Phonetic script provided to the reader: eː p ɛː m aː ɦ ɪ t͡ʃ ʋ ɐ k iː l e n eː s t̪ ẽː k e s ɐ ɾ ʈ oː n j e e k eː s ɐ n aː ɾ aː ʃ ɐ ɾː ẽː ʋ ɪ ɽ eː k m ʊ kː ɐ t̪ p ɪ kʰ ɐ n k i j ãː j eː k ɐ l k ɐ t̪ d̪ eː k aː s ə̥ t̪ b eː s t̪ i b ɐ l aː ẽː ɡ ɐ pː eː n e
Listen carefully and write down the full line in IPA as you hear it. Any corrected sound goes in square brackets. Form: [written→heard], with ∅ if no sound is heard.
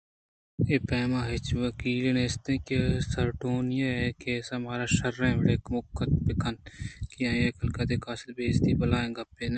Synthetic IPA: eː p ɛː m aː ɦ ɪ t͡ʃ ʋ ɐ k iː l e n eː s t̪ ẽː k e s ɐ ɾ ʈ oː n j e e k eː s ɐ [n→m] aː ɾ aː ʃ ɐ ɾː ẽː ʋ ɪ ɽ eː k m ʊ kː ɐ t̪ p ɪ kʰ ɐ n k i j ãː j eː k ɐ l k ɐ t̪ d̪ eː k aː s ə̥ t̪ b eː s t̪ i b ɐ l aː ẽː ɡ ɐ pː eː n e